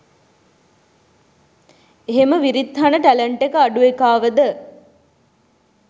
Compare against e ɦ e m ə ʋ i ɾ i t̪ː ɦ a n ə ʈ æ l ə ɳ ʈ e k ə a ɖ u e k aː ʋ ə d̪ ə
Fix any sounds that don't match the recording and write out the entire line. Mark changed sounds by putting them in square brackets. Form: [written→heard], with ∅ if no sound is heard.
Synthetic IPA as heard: e ɦ e m ə ʋ i ɾ i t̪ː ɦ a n ə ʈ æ l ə ɳ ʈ e k ə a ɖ u e k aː ʋ ə d̪ ə